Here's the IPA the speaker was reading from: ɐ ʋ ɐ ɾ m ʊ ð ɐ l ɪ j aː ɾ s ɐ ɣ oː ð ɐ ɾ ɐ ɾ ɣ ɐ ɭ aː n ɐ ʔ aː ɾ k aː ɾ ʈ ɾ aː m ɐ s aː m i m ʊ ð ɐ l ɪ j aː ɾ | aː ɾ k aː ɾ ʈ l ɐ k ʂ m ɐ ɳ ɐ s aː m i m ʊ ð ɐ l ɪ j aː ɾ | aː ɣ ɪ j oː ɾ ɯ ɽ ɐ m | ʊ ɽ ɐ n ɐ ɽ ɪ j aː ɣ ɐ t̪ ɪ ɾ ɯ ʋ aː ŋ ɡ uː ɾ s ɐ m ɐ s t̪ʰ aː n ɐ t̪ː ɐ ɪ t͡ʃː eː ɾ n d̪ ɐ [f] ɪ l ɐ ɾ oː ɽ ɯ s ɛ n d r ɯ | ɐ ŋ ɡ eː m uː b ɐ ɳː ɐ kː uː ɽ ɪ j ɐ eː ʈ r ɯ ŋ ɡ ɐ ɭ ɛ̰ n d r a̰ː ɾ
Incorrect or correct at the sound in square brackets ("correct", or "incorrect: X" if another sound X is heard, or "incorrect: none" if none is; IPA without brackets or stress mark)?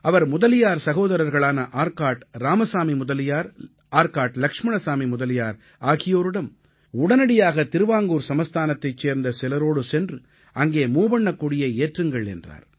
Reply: incorrect: s